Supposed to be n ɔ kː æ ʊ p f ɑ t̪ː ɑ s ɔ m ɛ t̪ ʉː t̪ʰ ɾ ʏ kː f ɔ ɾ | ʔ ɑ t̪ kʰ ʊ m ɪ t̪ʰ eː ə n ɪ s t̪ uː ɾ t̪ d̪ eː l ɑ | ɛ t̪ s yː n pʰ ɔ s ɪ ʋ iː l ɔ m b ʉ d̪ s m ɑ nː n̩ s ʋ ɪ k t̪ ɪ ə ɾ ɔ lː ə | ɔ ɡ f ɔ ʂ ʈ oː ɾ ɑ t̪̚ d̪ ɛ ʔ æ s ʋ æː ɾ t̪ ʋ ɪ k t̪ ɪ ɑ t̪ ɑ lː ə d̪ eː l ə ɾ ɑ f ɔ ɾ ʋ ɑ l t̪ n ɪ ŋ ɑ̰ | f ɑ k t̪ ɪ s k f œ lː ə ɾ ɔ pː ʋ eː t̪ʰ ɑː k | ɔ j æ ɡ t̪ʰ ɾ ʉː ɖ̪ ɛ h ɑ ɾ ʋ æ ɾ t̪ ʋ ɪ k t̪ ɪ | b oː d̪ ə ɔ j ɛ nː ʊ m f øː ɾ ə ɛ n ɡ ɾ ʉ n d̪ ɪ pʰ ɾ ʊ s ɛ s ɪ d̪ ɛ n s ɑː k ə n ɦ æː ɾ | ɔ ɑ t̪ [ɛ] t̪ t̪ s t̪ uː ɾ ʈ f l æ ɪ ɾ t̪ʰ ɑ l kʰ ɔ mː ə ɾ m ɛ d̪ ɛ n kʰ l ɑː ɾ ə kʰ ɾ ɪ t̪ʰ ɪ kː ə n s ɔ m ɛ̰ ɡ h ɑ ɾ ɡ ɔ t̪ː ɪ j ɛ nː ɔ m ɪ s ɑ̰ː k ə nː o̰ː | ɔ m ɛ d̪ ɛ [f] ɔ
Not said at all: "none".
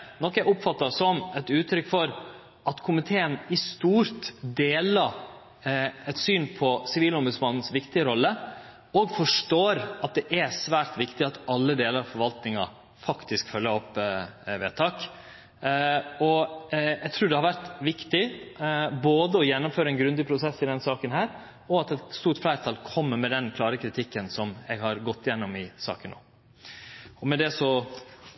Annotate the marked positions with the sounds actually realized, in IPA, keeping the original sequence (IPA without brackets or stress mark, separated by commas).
ɛ, s